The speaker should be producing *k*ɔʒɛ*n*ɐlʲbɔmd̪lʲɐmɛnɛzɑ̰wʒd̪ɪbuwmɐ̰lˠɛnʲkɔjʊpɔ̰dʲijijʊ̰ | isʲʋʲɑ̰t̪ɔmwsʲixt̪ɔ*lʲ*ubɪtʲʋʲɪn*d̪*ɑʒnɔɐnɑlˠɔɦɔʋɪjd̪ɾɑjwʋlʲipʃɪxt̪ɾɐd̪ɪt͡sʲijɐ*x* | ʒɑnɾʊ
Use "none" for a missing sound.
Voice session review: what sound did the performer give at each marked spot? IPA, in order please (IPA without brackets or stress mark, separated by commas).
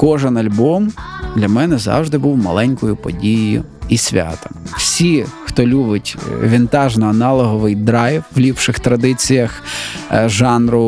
k, n, lʲ, t̪, x